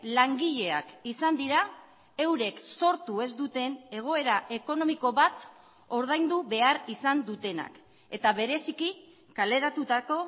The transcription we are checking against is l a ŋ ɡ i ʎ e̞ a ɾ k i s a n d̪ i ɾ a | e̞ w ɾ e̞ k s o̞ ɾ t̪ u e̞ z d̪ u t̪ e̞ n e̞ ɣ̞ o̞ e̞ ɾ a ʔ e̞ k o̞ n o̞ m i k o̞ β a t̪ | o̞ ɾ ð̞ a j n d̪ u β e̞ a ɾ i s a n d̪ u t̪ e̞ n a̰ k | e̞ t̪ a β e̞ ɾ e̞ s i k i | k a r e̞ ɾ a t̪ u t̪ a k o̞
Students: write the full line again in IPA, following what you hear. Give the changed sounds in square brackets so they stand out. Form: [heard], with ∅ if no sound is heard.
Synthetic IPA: l a ŋ ɡ i ʎ e̞ a [∅] k i s a n d̪ i ɾ a | e̞ w ɾ e̞ k s o̞ ɾ t̪ u e̞ z d̪ u t̪ e̞ n e̞ ɣ̞ o̞ e̞ ɾ a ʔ e̞ k o̞ n o̞ m i k o̞ β a t̪ | o̞ ɾ ð̞ a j n d̪ u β e̞ a ɾ i s a n d̪ u t̪ e̞ n a̰ k | e̞ t̪ a β e̞ ɾ e̞ s i k i | k a [l] e̞ ɾ a t̪ u t̪ a k o̞